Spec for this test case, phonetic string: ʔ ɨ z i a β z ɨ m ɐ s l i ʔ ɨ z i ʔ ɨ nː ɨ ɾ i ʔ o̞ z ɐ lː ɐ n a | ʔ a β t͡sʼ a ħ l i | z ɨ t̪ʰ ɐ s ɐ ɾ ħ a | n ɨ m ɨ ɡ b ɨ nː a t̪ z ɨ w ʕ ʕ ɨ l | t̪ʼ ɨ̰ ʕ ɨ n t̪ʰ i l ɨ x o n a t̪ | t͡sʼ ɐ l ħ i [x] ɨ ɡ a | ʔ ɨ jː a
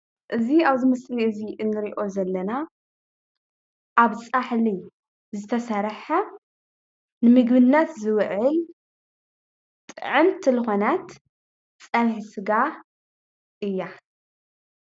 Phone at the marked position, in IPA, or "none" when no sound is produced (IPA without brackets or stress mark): s